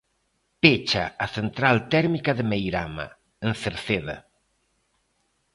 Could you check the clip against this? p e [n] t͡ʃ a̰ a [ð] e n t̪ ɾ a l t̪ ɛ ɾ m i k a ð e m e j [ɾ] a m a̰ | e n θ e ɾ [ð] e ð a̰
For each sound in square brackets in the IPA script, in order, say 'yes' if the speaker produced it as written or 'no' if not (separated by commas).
no, no, yes, no